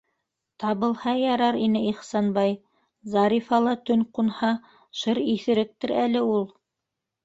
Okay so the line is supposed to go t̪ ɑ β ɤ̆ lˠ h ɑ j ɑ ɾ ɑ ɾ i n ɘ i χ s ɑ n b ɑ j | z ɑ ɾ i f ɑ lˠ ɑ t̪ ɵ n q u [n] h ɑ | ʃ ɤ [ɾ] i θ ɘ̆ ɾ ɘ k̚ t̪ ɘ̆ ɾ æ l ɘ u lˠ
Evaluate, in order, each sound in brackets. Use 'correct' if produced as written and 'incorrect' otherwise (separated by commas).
correct, correct